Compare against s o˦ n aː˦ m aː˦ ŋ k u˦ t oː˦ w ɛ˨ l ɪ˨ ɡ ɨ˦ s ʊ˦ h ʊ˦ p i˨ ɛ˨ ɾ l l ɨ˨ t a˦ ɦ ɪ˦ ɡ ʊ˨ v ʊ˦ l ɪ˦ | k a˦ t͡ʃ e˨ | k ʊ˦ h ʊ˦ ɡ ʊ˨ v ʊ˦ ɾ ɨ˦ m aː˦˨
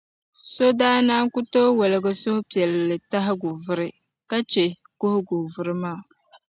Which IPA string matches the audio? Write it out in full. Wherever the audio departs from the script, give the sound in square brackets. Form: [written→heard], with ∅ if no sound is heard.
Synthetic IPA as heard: s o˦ [n→d] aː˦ [m→n] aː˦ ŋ k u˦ t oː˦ w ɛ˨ l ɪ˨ ɡ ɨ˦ s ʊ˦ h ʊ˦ p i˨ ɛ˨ [ɾ→∅] l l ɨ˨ t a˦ ɦ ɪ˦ ɡ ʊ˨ v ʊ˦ [l→ɾ] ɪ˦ | k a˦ t͡ʃ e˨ | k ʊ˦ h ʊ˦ ɡ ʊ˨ v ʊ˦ ɾ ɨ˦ m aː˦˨